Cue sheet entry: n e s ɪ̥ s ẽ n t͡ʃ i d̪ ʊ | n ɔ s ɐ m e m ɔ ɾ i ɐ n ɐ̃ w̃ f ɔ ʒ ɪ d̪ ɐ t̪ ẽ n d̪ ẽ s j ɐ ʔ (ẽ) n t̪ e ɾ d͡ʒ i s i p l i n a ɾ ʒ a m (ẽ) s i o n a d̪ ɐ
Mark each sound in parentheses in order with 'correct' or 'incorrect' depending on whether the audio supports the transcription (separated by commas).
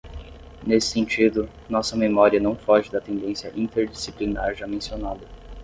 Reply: incorrect, correct